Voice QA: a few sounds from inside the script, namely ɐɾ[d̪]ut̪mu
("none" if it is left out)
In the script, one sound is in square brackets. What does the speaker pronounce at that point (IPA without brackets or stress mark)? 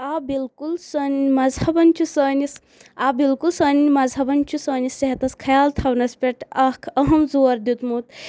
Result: d̪